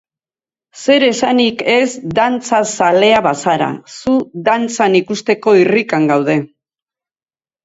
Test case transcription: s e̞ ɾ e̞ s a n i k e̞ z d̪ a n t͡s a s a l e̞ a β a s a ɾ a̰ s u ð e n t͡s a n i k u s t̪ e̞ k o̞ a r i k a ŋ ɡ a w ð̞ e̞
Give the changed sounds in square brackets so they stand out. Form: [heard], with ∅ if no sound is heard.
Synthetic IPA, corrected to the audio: s e̞ ɾ e̞ s a n i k e̞ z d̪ a n t͡s a s a l e̞ a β a s a ɾ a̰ s u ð [a] n t͡s a n i k u s t̪ e̞ k o̞ [i] r i k a ŋ ɡ a w ð̞ e̞